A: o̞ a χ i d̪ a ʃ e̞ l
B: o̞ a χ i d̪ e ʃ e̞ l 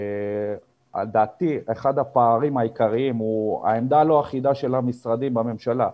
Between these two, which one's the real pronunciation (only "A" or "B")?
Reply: A